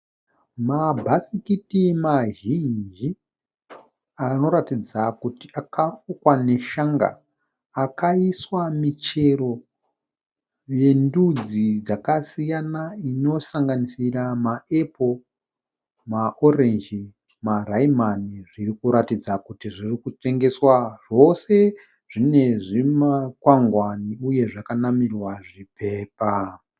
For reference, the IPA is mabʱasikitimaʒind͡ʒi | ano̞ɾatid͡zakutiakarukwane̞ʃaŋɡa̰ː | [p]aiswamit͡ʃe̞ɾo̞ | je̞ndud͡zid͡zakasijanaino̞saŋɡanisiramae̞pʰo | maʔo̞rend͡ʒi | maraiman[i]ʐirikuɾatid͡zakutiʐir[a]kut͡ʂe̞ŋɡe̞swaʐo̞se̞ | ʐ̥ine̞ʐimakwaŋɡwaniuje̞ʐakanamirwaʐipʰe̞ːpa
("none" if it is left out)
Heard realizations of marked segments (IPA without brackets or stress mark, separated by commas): k, i, i